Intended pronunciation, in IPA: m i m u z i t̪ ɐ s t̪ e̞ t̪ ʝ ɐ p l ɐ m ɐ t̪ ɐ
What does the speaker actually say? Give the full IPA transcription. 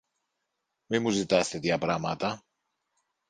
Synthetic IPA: m i m u z i t̪ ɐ s t̪ e̞ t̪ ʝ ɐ p ɾ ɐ m ɐ t̪ ɐ

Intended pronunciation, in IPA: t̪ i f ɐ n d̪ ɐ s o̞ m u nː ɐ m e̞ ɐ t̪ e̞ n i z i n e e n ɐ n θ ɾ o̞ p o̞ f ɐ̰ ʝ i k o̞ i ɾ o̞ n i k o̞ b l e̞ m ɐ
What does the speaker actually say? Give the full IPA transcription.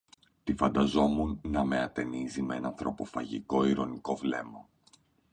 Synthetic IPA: t̪ i f ɐ n d̪ ɐ z o̞ m u nː ɐ m e̞ ɐ t̪ e̞ n i z i m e e n ɐ n θ ɾ o̞ p o̞ f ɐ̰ ʝ i k o̞ i ɾ o̞ n i k o̞ v l e̞ m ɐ

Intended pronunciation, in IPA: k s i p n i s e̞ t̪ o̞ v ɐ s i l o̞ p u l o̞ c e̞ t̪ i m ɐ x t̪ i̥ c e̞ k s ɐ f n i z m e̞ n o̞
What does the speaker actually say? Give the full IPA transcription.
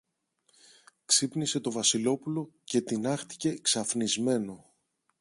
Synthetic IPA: k s i p n i s e̞ t̪ o̞ v ɐ s i l o̞ p u l o̞ c e̞ t̪ i n ɐ x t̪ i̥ c e̞ k s ɐ f n i z m e̞ n o̞

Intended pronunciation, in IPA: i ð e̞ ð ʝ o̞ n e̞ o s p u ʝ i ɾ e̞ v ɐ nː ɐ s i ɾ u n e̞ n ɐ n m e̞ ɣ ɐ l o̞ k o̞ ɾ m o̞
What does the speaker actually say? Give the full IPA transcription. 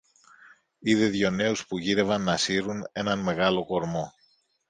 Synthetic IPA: i ð e̞ ð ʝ o̞ n e̞ u s p u ʝ i ɾ e̞ v ɐ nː ɐ s i ɾ u n e̞ n ɐ n m e̞ ɣ ɐ l o̞ k o̞ ɾ m o̞

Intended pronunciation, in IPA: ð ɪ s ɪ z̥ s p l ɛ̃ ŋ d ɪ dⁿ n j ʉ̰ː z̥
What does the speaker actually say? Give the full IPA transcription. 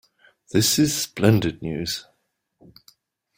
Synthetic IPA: ð ɪ s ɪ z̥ s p l ɛ̃ n d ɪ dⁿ n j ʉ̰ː z̥

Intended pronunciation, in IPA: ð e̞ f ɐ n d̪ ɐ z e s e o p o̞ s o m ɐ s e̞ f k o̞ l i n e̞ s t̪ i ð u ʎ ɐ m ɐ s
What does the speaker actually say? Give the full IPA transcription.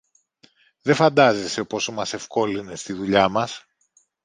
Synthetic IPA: ð e̞ f ɐ n d̪ ɐ z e s e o p o̞ s o m ɐ s e̞ f k o̞ l i n e̞ s t̪ i ð u ʎ ɐ m ɐ s

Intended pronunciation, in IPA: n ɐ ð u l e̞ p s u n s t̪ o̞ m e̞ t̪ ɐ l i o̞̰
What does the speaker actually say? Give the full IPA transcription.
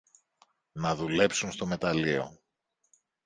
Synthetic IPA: n ɐ ð u l e̞ p s u n s t̪ o̞ m e̞ t̪ ɐ l i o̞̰

